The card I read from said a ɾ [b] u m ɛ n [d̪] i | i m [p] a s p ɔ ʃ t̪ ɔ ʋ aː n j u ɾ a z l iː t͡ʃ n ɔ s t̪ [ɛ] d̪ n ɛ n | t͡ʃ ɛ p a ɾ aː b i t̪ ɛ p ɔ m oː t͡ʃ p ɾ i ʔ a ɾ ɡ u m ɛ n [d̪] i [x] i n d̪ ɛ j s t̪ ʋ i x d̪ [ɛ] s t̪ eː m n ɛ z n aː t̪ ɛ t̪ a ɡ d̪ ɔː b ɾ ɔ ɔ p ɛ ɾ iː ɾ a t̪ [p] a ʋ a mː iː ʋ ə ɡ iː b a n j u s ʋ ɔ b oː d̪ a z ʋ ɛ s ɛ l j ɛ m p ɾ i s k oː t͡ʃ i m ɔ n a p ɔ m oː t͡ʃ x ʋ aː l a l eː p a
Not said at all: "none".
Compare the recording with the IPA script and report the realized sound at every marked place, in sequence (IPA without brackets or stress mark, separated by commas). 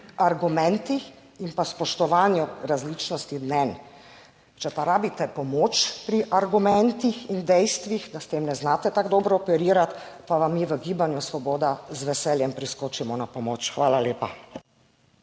ɡ, t̪, p, i, t̪, x, a, p